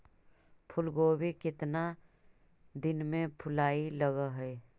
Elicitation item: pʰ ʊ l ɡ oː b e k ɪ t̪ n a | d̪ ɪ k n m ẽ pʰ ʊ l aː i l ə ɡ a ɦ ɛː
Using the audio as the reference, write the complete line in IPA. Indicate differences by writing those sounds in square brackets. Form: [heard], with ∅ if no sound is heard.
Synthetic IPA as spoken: pʰ ʊ l ɡ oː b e k ɪ t̪ n a | d̪ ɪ [∅] n m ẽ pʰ ʊ l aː i l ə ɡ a ɦ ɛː